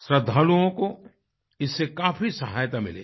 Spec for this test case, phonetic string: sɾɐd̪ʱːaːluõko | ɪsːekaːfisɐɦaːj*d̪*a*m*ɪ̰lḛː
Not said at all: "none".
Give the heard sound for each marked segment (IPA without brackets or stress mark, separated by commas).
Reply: t̪, m